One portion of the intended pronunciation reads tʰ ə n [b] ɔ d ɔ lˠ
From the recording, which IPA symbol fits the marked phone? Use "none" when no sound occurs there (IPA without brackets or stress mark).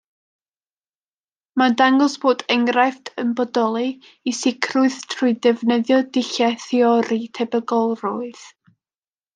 b